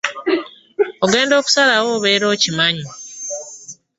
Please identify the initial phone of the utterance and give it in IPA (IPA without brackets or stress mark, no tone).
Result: o̞